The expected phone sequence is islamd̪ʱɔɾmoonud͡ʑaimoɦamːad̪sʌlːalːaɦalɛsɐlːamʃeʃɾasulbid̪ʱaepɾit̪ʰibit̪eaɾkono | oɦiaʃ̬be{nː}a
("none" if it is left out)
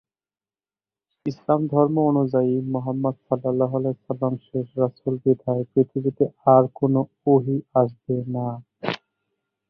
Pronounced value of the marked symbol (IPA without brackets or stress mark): n